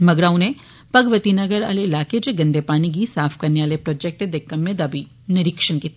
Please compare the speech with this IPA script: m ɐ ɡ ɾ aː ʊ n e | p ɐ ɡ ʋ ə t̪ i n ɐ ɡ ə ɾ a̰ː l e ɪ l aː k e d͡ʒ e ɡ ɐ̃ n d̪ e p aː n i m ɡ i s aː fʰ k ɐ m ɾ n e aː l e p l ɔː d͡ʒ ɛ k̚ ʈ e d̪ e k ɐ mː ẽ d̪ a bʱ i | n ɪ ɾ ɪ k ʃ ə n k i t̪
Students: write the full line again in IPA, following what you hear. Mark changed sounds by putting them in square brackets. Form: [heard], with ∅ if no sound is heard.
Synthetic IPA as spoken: m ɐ ɡ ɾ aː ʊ n e | p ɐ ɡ ʋ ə t̪ i n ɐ ɡ ə ɾ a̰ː l e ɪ l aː k e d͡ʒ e ɡ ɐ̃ n d̪ e p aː n i [∅] ɡ i s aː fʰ k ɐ [∅] ɾ n e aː l e p [ɾ] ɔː d͡ʒ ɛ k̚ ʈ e d̪ e k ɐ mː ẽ d̪ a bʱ i | n ɪ ɾ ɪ k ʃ ə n k i t̪